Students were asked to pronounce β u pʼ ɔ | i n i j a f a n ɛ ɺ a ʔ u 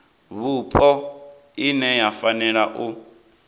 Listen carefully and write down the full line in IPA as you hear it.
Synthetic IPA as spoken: β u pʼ ɔ | i n ɛ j a f a n ɛ ɺ a ʔ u